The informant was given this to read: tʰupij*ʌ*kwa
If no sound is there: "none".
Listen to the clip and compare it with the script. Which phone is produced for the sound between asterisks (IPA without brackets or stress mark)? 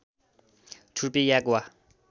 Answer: a